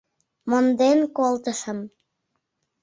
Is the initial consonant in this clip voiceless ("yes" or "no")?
no